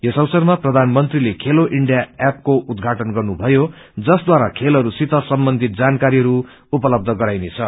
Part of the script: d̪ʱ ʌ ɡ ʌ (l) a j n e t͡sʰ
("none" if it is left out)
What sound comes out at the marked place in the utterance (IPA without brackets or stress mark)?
ɾ